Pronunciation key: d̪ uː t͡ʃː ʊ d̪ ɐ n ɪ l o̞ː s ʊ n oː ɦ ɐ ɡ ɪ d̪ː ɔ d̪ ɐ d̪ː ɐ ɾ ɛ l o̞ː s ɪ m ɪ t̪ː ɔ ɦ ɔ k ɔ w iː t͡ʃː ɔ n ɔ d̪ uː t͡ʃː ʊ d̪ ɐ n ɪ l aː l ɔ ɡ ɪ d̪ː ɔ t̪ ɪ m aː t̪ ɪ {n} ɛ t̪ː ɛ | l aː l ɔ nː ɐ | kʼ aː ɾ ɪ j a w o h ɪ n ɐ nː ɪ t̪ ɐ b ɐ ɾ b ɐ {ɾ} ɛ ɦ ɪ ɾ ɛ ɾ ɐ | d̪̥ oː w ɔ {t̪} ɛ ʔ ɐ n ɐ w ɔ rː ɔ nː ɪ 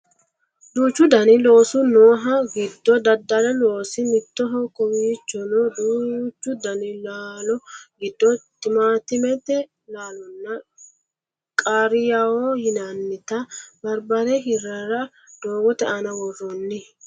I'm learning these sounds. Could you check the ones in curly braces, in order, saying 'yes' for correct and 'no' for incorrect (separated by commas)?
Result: no, yes, yes